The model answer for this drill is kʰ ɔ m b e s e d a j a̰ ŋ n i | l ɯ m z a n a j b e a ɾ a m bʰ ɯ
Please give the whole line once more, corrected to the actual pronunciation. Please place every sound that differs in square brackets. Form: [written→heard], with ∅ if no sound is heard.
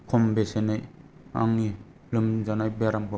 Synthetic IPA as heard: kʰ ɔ m b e s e [d→n] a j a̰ ŋ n i | l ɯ m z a n a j b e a ɾ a m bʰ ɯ